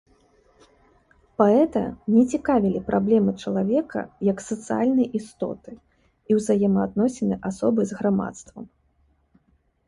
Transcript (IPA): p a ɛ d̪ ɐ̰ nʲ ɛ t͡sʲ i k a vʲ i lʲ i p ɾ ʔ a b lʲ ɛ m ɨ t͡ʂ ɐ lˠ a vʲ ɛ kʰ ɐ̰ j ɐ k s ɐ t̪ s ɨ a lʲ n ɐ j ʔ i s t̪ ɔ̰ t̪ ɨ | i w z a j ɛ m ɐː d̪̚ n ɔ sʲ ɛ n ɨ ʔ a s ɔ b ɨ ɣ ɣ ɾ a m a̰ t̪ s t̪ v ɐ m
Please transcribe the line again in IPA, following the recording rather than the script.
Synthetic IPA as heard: p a ɛ t̪ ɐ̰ nʲ ɛ t͡sʲ i k a vʲ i lʲ i p ɾ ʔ a b lʲ ɛ m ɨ t͡ʂ ɐ lˠ a vʲ ɛ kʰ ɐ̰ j ɐ k s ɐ t̪ s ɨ a lʲ n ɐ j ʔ i s t̪ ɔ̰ t̪ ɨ | i w z a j ɛ m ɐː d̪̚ n ɔ sʲ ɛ n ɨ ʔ a s ɔ b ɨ z ɣ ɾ a m a̰ t̪ s t̪ v ɐ m